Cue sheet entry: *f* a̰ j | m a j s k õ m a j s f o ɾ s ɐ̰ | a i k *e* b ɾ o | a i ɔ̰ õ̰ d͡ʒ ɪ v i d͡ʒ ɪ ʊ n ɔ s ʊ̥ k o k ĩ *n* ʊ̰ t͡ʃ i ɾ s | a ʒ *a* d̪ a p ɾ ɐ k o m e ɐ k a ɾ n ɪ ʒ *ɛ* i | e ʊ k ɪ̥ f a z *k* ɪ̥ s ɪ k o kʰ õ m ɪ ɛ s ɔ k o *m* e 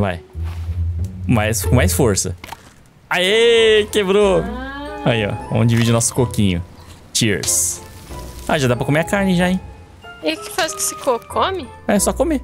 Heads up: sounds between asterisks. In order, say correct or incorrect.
incorrect, correct, incorrect, correct, incorrect, correct, correct

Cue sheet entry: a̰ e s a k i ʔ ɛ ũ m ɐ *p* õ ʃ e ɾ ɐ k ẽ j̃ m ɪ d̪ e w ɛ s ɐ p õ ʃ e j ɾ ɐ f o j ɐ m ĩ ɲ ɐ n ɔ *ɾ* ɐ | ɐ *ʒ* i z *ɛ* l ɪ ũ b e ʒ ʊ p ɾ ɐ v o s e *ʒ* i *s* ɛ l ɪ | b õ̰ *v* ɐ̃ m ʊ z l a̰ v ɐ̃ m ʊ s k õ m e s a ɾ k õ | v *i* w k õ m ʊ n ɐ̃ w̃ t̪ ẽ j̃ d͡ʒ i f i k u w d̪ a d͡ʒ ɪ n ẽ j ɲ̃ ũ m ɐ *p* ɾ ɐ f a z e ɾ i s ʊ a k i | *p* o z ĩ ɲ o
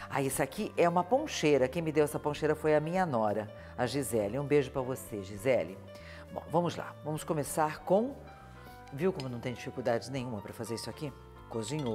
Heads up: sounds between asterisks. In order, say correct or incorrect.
correct, correct, correct, correct, correct, incorrect, correct, correct, correct, incorrect

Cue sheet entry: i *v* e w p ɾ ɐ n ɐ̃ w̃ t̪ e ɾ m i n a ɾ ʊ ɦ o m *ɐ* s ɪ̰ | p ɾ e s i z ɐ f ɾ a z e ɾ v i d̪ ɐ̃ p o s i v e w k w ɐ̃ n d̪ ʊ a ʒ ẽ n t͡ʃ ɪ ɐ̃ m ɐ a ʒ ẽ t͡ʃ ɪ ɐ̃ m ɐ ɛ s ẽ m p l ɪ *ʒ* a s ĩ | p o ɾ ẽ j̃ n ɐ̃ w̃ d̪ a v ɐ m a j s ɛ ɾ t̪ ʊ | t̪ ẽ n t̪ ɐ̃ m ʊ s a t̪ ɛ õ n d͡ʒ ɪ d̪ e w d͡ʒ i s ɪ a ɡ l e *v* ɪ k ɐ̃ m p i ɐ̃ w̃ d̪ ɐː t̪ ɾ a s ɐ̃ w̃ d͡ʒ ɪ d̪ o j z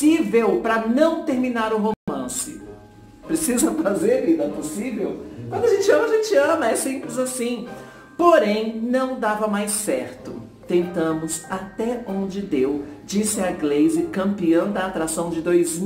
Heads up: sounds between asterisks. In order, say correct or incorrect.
correct, incorrect, incorrect, incorrect

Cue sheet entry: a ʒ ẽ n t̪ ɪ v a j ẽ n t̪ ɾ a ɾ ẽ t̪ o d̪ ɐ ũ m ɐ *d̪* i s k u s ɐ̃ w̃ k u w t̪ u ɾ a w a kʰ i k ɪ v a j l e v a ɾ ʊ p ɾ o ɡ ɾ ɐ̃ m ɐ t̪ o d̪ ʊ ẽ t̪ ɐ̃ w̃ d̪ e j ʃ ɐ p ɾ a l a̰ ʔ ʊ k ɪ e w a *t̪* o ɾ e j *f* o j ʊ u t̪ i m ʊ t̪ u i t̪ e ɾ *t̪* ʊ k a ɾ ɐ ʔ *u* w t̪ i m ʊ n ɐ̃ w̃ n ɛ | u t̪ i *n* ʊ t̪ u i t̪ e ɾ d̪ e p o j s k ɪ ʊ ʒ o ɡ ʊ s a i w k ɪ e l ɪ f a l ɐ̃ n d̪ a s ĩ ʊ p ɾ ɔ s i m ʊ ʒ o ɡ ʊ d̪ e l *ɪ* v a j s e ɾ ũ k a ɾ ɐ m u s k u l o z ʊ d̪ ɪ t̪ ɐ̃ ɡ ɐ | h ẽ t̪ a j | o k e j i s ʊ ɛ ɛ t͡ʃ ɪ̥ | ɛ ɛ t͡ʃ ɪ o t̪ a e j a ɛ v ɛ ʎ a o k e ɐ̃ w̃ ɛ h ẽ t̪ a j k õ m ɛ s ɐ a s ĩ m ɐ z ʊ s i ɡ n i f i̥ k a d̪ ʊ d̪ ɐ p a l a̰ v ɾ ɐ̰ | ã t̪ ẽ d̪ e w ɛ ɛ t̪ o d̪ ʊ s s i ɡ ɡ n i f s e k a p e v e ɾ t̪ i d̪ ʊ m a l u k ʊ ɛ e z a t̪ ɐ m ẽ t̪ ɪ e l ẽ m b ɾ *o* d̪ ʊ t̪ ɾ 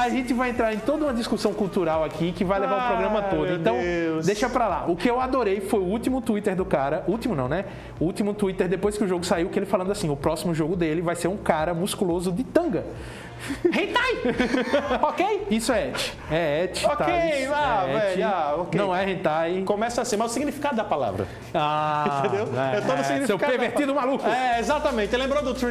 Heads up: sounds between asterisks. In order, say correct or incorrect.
correct, incorrect, correct, incorrect, correct, incorrect, correct, correct

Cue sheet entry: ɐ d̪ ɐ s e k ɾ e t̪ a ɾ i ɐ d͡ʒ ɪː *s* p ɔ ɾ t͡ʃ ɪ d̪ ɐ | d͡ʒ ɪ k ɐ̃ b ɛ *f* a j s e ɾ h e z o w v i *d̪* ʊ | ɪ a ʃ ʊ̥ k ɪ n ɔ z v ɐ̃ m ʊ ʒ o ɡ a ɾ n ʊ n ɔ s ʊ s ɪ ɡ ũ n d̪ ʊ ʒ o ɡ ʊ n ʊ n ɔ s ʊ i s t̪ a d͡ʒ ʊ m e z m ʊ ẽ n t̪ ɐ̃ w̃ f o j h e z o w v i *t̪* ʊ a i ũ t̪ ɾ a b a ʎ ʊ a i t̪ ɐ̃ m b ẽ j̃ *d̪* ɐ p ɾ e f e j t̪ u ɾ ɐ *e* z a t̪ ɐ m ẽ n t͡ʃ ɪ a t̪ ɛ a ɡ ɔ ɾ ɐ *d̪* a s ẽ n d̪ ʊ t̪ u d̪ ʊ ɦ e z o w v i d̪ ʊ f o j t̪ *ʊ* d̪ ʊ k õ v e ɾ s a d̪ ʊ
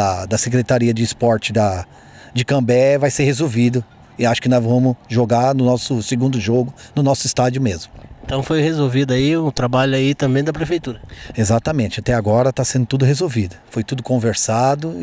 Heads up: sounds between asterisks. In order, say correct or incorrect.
correct, incorrect, correct, incorrect, correct, correct, incorrect, incorrect

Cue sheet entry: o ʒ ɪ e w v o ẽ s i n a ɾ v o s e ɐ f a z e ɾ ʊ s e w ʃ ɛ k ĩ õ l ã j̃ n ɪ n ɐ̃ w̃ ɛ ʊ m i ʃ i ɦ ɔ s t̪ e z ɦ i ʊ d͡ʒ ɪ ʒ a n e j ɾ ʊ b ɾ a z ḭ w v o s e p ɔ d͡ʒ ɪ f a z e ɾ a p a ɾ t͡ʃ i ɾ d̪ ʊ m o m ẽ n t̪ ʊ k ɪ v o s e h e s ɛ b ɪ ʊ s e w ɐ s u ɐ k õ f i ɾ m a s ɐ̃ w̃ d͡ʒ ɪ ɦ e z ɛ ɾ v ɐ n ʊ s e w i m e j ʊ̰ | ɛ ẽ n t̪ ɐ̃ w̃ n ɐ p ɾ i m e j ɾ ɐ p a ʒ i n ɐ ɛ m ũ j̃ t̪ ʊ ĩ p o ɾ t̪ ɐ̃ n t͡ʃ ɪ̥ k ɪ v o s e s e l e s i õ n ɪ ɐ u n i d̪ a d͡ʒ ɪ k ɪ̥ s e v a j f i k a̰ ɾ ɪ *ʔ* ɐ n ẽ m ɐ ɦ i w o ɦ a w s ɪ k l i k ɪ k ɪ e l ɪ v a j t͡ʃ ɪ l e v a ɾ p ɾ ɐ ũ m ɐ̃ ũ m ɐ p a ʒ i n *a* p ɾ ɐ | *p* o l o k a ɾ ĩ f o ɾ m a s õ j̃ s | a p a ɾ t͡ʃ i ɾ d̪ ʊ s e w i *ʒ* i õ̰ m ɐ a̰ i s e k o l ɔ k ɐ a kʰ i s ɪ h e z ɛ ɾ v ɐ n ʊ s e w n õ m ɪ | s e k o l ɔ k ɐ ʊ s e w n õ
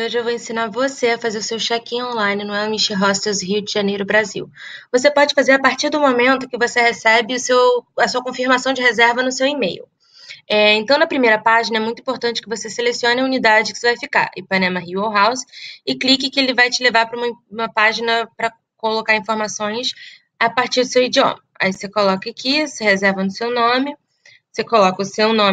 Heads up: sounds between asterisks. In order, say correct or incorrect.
incorrect, incorrect, incorrect, incorrect

